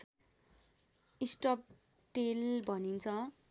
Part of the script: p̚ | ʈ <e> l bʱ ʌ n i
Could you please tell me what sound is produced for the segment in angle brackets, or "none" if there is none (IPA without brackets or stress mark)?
e